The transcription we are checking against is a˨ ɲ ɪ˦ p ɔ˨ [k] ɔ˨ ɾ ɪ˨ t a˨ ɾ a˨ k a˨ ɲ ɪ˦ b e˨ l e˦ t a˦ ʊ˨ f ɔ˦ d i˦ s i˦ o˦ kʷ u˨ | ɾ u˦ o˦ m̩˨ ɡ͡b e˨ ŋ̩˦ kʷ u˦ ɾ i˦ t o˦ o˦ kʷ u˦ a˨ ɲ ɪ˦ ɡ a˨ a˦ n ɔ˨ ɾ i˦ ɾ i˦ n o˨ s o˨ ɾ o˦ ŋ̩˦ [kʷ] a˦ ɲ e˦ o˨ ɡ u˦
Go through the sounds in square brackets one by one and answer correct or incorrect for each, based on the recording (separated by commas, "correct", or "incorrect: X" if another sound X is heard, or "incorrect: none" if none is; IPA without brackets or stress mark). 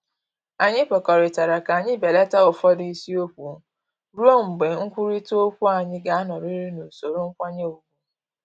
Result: correct, correct